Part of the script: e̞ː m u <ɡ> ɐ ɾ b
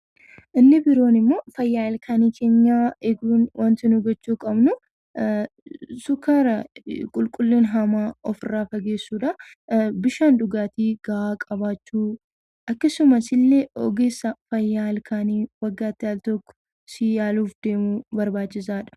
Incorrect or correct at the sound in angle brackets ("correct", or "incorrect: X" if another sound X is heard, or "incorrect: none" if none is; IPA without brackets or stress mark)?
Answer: incorrect: b